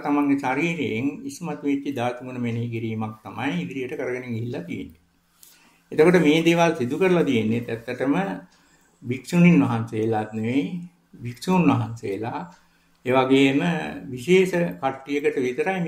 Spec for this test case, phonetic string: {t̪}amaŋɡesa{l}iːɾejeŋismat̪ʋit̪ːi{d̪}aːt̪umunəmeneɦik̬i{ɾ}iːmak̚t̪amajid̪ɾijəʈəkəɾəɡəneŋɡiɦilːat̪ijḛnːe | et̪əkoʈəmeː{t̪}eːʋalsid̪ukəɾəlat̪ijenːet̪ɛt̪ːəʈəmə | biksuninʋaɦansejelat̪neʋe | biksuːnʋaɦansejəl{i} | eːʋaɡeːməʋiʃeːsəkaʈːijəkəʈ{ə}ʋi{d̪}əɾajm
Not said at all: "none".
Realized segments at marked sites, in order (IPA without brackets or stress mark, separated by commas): t̪, ɾ, d̪, ɾ, d̪, a, ə, t̪